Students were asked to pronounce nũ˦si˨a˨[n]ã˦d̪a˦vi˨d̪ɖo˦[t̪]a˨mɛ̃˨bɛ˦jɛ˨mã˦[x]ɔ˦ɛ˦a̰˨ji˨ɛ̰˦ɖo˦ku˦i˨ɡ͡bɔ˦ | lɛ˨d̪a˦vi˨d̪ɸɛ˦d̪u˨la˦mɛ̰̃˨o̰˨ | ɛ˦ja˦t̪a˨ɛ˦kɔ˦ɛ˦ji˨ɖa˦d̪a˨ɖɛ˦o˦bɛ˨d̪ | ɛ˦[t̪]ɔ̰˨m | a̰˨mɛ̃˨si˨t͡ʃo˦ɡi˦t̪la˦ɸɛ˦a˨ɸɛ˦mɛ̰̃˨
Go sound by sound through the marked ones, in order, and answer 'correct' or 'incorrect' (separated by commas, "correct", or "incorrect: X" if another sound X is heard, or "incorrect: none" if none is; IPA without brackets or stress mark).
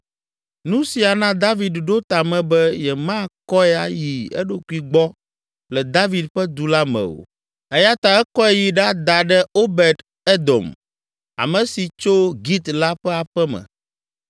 correct, correct, incorrect: k, incorrect: d̪